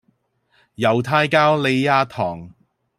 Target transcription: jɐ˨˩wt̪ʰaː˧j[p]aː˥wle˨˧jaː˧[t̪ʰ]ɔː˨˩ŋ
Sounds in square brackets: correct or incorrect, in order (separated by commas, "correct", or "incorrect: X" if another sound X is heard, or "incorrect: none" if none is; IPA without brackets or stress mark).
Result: incorrect: k, correct